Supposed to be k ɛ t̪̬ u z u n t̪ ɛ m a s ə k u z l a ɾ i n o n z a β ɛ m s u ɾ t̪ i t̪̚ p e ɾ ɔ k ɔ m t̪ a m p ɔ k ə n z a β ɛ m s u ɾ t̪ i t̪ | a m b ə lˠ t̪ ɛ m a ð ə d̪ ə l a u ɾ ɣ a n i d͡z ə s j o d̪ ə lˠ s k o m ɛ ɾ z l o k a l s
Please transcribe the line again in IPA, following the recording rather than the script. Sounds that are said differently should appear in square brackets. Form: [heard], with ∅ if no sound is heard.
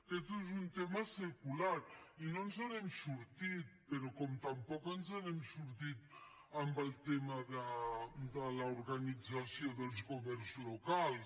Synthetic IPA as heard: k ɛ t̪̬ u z u n t̪ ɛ m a s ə k u [∅] l a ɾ i n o n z a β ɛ m s u ɾ t̪ i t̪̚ p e ɾ ɔ k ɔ m t̪ a m p ɔ k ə n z a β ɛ m s u ɾ t̪ i t̪ | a m b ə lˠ t̪ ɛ m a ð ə d̪ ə l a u ɾ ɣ a n i d͡z [a] s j o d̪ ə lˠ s k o m ɛ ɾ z l o k a l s